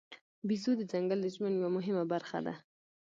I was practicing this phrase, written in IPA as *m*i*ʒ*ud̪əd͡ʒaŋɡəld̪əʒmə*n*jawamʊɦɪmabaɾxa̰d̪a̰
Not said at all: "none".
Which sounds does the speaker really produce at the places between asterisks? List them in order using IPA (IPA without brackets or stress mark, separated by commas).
b, z, n